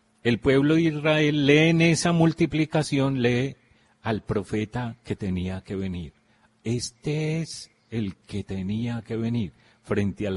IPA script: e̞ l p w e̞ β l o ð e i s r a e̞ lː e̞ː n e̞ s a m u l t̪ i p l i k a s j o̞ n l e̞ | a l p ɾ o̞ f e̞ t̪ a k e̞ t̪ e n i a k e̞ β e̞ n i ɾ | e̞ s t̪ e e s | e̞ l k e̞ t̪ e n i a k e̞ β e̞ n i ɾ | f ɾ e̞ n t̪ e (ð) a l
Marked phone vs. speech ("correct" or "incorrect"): incorrect